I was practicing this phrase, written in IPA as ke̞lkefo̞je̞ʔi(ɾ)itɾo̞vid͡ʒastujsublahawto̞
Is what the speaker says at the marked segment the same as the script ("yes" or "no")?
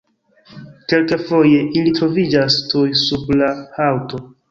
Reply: no